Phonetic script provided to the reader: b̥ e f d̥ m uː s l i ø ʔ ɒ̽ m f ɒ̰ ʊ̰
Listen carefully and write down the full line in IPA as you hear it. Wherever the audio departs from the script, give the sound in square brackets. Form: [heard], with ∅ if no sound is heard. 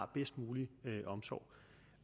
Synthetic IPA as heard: b̥ e [s] d̥ m uː [∅] l i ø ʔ ɒ̽ m [s] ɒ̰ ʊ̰

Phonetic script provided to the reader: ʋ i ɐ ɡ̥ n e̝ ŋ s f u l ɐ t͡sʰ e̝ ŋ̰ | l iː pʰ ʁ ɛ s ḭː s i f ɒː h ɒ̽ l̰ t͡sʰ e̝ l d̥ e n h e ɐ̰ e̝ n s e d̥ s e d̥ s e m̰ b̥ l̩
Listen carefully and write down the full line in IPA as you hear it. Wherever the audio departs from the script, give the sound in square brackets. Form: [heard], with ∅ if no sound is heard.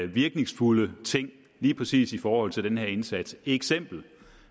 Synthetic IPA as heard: ʋ i ɐ ɡ̥ n e̝ ŋ s f u l [ə] t͡sʰ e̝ ŋ̰ | l iː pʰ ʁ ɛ s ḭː s i f ɒː h ɒ̽ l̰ t͡sʰ e̝ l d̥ e n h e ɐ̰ e̝ n s [æ] d̥ s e [ɡ̥] s e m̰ b̥ l̩

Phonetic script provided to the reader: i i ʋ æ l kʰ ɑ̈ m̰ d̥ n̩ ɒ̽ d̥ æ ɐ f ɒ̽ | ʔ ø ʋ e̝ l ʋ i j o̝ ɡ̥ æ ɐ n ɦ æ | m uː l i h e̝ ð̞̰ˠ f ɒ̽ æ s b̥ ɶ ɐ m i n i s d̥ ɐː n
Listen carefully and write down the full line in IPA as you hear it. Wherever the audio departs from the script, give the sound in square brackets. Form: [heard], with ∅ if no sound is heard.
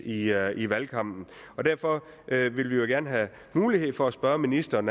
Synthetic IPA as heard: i i ʋ æ l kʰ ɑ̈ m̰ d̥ n̩ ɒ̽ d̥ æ ɐ f ɒ̽ | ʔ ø ʋ e̝ l ʋ i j o̝ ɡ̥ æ ɐ n ɦ æ | m uː l i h e̝ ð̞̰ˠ f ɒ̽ æ s b̥ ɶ ɐ m i n i s d̥ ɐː n

